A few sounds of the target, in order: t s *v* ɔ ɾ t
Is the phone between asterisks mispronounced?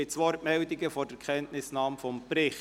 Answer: yes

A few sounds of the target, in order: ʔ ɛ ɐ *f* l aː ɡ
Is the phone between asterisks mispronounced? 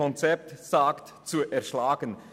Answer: yes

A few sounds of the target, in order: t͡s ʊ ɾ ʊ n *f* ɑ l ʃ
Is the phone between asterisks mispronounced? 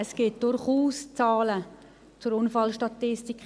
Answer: no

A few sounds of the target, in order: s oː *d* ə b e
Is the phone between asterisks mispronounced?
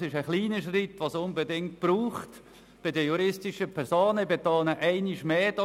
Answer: yes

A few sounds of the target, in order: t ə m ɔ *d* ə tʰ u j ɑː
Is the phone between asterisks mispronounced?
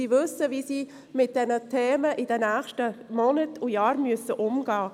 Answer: yes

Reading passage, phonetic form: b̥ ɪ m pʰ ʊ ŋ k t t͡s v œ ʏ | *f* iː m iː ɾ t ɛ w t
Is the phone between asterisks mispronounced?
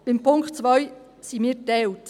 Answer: yes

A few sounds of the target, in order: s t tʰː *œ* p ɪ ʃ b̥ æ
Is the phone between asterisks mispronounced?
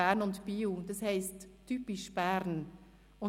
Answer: yes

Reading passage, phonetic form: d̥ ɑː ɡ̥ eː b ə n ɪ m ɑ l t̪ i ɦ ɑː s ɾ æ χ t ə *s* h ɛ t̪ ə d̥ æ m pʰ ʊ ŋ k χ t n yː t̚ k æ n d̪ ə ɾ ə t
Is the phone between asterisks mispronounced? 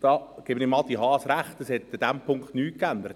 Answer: no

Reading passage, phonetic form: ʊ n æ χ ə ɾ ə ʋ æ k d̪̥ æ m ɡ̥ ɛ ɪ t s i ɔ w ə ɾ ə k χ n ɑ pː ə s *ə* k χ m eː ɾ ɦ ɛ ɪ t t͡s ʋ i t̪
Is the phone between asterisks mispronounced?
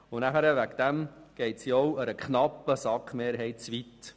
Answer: yes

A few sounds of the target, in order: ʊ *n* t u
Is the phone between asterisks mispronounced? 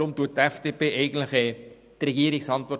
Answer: yes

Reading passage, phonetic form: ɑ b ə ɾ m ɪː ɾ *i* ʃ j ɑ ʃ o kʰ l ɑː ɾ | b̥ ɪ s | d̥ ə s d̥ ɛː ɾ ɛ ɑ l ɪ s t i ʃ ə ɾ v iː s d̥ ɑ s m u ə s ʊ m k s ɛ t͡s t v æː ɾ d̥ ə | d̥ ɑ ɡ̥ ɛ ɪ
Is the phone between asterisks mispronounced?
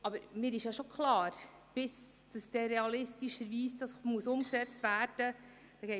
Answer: yes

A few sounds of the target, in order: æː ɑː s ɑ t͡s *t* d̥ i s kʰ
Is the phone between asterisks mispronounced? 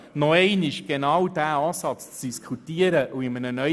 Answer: yes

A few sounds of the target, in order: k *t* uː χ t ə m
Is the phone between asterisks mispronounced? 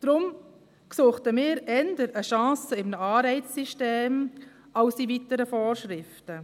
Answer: yes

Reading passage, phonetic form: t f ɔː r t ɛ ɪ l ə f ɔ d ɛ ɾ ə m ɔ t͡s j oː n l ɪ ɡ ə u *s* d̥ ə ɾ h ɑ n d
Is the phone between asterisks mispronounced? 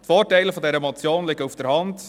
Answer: yes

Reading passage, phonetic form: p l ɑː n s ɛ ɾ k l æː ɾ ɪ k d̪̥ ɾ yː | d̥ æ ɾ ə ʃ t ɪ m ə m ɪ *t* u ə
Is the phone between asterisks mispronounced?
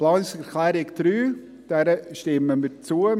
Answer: yes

